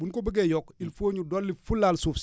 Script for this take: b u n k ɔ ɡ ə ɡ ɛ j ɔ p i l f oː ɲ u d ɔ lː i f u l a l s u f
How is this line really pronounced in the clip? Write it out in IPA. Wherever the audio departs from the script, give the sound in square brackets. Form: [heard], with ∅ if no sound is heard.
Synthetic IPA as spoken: b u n k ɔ [b] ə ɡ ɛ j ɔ [k] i l f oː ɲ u d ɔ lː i f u l a l s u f